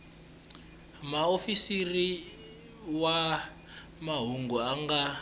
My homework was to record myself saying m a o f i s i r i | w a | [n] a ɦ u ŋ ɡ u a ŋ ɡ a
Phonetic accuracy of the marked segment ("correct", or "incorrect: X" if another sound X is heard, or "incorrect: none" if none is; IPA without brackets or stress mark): incorrect: m